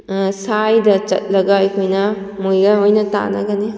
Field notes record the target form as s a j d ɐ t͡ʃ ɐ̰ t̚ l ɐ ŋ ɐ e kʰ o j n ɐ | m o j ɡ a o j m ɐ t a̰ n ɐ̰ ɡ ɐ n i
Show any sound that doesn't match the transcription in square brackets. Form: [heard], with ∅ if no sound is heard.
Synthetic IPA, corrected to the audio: s a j d ɐ t͡ʃ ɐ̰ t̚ l ɐ [ɡ] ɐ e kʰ o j n ɐ | m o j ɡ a o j [n] ɐ t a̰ n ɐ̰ ɡ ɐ n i